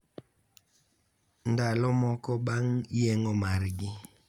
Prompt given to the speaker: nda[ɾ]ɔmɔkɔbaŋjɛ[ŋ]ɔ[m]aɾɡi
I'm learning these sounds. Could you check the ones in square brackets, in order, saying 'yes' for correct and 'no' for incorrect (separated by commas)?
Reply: no, yes, yes